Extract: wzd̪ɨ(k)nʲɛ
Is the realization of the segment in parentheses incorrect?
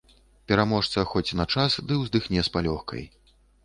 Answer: yes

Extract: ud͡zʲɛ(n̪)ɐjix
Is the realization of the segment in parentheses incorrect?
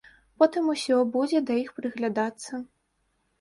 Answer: yes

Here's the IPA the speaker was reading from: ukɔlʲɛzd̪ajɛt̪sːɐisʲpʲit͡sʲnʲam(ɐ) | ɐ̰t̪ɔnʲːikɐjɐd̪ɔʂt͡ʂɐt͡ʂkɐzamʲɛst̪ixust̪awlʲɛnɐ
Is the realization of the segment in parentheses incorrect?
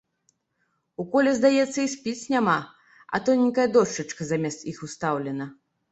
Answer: yes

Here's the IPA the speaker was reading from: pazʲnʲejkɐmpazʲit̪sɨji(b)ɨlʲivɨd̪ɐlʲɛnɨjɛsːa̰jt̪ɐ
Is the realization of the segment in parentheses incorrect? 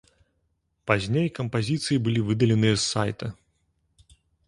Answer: no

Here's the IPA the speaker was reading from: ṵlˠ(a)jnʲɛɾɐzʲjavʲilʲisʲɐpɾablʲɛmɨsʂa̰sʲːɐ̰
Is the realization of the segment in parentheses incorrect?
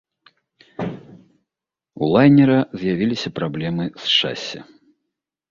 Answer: no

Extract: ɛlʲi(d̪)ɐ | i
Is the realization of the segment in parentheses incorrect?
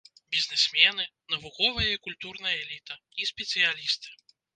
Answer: yes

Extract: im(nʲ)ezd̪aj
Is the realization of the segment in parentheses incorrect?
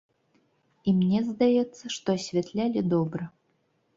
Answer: no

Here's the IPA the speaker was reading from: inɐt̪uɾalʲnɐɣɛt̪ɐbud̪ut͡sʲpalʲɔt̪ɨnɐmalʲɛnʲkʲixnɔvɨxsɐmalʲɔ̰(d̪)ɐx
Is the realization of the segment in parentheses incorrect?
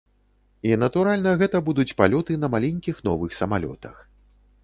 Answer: yes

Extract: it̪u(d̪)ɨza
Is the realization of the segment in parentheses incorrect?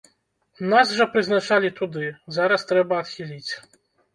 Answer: no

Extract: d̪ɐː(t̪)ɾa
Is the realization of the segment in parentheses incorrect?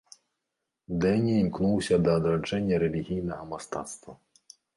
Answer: yes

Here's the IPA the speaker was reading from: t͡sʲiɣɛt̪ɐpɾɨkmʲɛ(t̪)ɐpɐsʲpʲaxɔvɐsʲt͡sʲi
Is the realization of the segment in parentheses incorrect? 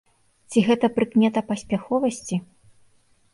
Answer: no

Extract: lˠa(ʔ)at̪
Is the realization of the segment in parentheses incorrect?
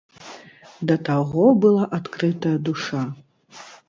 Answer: no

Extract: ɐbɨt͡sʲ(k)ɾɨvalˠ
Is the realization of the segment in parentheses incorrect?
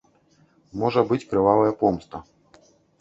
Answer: no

